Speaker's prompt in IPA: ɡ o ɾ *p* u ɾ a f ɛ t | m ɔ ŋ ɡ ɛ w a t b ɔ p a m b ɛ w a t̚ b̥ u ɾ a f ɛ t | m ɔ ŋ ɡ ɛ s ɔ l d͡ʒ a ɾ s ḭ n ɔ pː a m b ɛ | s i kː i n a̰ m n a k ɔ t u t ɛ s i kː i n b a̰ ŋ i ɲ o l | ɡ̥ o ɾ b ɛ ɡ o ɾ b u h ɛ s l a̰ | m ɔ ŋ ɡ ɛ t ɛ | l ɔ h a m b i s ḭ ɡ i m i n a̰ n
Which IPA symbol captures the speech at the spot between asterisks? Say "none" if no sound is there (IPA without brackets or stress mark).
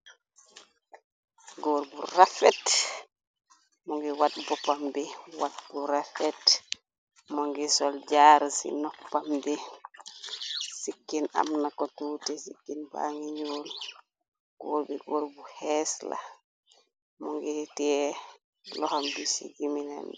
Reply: b